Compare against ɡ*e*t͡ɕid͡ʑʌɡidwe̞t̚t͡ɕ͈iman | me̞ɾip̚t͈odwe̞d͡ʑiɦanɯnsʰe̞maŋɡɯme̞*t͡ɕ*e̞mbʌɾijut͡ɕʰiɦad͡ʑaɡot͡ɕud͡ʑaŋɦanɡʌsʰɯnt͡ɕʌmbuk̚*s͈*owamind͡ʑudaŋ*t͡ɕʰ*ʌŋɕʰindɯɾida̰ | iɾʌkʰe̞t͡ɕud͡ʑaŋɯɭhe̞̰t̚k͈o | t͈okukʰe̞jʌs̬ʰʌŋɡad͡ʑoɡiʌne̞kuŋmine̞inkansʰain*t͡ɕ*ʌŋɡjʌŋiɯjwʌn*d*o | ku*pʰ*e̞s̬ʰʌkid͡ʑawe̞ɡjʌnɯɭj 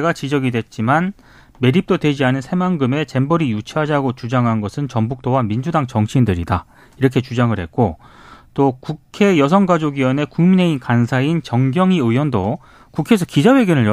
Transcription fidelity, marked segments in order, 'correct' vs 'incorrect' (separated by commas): incorrect, correct, incorrect, incorrect, correct, correct, incorrect